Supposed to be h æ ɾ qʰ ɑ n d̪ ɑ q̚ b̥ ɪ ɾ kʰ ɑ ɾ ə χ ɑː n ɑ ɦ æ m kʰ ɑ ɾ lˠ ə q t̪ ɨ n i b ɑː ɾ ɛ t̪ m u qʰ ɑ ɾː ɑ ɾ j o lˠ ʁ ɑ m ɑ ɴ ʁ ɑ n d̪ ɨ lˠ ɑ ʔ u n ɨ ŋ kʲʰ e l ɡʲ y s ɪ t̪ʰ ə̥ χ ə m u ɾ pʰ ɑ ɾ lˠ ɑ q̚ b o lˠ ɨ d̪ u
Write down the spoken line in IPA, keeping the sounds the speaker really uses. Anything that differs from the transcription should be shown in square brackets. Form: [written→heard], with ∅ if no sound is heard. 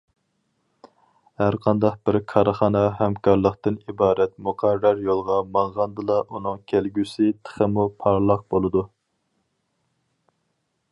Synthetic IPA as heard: h æ ɾ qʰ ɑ n d̪ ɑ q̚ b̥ ɪ ɾ kʰ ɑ ɾ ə χ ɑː n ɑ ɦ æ m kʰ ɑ ɾ lˠ ə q t̪ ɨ n i b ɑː ɾ ɛ t̪ m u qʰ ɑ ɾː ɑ ɾ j o lˠ ʁ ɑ m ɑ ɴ ʁ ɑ n d̪ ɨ lˠ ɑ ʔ u n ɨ ŋ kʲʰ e l ɡʲ y s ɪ t̪ʰ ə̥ χ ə m u [ɾ→∅] pʰ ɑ ɾ lˠ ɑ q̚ b o lˠ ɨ d̪ u